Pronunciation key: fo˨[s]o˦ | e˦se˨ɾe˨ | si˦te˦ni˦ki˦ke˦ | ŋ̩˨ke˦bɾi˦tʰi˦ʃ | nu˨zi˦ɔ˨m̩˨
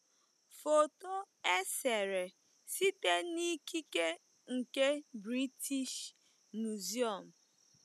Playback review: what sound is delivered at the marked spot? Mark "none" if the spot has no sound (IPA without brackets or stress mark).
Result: t